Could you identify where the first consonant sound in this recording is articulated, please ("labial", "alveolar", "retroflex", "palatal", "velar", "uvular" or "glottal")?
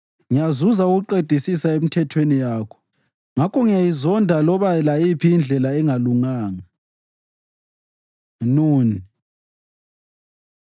velar